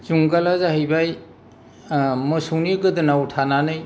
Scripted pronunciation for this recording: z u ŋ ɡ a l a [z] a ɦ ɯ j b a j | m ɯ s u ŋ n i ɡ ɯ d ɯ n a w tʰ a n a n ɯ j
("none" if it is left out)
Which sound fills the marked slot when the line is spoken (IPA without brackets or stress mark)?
z